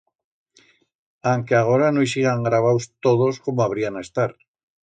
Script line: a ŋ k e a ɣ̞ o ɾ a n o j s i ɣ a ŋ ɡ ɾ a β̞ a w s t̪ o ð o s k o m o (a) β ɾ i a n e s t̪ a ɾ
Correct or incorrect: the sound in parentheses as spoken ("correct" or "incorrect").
correct